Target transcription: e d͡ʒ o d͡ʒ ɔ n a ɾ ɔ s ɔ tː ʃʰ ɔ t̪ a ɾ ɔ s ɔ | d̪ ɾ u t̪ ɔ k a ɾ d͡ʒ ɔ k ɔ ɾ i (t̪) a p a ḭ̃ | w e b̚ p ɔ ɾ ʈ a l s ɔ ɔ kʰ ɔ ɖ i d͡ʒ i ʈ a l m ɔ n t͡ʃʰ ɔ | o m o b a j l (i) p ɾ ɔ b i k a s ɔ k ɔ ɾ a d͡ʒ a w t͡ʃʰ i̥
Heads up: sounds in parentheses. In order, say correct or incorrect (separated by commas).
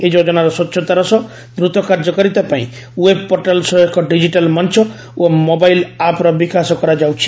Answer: correct, incorrect